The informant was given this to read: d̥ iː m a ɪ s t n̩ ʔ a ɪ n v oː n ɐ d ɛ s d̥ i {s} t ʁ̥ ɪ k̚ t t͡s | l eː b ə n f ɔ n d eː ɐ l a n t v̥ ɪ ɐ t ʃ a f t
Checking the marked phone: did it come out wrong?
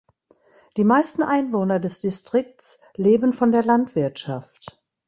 no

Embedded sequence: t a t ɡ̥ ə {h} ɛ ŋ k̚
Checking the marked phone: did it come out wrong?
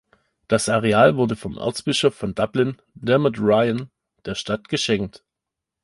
yes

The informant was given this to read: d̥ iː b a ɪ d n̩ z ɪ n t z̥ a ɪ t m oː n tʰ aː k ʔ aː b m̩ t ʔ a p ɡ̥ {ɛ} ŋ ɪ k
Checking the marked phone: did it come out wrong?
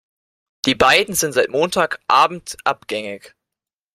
no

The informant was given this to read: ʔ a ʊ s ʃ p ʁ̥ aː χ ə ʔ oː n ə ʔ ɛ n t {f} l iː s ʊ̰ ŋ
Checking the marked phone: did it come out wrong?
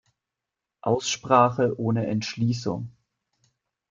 yes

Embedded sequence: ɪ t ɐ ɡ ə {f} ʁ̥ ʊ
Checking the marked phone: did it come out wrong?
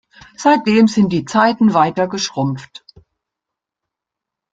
yes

